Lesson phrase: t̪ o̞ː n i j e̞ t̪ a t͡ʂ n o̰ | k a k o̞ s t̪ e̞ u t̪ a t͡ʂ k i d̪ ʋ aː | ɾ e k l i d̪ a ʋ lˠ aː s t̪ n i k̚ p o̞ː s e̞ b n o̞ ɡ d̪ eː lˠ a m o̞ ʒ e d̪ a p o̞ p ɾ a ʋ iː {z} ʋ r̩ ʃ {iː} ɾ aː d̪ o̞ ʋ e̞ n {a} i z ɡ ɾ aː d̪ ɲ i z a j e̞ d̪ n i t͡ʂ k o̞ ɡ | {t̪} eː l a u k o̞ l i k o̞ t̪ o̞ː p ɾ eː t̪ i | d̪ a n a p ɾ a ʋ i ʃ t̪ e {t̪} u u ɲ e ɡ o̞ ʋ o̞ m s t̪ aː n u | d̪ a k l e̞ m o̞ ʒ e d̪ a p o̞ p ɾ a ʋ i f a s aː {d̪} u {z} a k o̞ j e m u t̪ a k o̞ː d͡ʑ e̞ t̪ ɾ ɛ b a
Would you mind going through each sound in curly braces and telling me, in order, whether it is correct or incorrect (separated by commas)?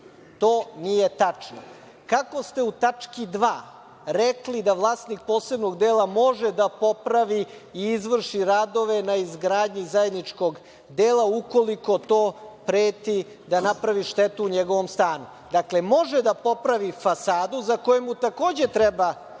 correct, incorrect, correct, incorrect, correct, correct, correct